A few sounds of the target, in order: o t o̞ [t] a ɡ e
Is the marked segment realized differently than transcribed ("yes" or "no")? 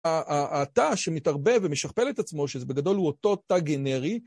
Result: no